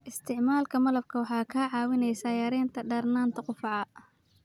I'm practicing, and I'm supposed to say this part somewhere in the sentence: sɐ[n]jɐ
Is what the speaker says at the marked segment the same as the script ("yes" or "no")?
no